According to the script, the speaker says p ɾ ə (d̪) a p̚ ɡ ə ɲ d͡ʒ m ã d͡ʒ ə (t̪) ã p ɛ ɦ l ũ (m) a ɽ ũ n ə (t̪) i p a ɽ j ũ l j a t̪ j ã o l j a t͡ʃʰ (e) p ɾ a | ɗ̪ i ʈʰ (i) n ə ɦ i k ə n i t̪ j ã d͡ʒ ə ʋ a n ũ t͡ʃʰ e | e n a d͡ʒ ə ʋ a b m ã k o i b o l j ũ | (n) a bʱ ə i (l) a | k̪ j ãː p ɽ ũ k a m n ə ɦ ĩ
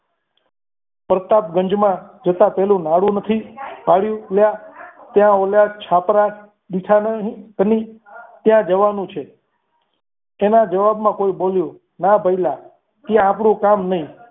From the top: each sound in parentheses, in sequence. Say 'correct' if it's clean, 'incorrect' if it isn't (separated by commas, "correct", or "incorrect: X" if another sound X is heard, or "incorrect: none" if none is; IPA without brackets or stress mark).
incorrect: t̪, correct, incorrect: n, incorrect: t̪ʰ, incorrect: a, incorrect: a, correct, correct